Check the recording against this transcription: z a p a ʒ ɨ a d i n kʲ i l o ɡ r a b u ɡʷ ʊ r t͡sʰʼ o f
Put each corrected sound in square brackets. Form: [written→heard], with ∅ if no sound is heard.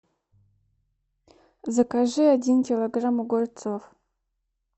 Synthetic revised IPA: z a [p→k] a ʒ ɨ a d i n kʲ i l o ɡ r a [b→m] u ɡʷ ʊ r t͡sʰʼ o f